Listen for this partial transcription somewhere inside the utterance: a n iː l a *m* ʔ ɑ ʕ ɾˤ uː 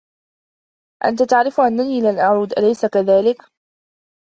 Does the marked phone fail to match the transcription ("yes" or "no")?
yes